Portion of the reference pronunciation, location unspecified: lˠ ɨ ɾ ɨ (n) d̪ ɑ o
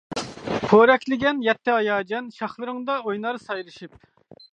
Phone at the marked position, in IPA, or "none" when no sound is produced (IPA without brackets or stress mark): ŋ